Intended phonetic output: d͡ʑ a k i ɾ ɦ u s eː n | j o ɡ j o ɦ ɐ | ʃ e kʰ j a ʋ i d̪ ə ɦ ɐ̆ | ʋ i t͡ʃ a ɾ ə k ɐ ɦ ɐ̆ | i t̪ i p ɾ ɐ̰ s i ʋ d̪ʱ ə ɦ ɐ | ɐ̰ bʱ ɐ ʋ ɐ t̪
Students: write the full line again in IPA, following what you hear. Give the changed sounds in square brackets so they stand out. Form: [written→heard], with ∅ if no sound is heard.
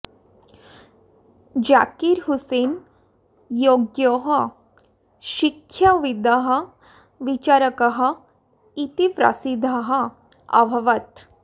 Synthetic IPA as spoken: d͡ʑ a k i ɾ ɦ u s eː n | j o ɡ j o ɦ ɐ | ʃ [e→i] kʰ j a ʋ i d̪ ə ɦ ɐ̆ | ʋ i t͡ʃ a ɾ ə k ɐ ɦ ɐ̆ | i t̪ i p ɾ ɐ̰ s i [ʋ→∅] d̪ʱ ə ɦ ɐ | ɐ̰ bʱ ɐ ʋ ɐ t̪